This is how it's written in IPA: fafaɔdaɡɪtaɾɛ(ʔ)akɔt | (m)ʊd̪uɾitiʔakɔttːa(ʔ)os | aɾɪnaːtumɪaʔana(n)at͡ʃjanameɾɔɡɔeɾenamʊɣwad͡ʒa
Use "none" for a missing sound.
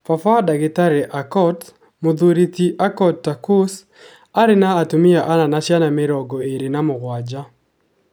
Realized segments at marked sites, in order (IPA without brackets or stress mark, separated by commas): ʔ, m, k, n